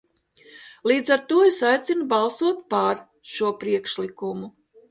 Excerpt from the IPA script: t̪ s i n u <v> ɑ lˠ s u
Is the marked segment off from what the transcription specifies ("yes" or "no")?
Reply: yes